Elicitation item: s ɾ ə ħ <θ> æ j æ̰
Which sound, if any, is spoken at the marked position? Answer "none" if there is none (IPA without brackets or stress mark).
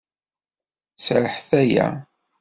θ